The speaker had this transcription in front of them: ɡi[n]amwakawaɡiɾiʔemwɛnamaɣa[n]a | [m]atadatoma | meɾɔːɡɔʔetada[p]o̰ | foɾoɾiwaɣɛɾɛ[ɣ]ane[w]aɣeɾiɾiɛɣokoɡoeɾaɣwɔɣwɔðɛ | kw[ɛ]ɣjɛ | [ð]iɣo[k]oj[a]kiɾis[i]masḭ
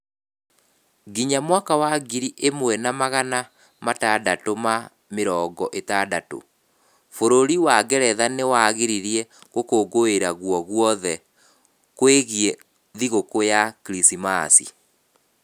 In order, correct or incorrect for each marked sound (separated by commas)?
incorrect, correct, correct, incorrect, incorrect, correct, incorrect, correct, correct, correct, correct